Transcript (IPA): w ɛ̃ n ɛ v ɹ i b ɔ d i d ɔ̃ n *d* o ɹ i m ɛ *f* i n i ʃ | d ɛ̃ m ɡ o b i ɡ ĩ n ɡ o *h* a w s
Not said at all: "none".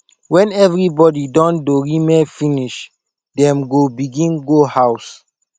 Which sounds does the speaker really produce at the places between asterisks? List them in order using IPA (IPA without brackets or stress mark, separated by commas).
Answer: d, f, h